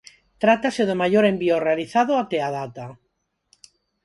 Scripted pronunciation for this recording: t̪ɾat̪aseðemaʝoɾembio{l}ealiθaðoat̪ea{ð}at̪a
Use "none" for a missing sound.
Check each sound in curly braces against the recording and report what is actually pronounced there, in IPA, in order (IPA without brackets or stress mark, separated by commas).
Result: r, ð